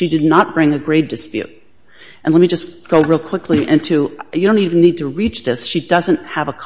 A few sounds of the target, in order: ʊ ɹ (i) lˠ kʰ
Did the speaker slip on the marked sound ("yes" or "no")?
no